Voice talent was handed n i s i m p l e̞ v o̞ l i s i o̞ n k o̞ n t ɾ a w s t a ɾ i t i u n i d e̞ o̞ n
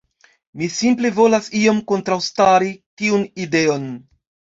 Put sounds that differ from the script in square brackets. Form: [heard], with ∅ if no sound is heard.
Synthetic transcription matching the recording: [m] i s i m p l e̞ v o̞ l [a] s i o̞ [m] k o̞ n t ɾ a w s t a ɾ i t i u n i d e̞ o̞ n